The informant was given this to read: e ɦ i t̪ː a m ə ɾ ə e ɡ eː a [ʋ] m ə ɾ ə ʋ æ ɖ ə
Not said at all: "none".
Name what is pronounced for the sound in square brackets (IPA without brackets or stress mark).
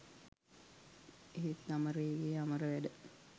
none